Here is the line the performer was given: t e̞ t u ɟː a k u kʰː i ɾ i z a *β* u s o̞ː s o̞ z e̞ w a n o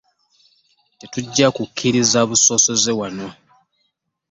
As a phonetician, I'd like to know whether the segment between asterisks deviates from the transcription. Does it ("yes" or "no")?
no